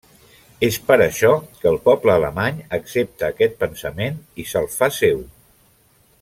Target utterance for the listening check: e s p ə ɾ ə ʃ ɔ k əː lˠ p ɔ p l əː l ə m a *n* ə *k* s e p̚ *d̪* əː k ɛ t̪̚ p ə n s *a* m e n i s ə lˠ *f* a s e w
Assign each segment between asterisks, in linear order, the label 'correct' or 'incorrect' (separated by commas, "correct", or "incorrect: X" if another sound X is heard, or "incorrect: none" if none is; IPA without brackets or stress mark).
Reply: incorrect: ɲ, correct, incorrect: t̪, incorrect: ə, correct